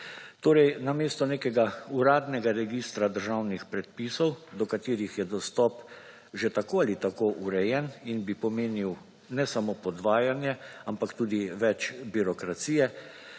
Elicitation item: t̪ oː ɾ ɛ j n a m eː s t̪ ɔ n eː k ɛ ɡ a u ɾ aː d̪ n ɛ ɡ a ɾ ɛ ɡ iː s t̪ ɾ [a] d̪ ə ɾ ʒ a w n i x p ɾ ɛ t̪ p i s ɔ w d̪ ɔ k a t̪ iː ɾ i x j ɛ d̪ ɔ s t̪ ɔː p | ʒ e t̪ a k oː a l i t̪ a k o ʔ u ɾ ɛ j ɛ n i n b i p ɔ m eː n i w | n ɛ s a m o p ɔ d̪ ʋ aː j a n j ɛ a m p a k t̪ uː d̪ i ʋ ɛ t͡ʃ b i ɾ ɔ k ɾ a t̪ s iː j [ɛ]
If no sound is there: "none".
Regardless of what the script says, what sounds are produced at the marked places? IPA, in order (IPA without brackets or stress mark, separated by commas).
a, ɛ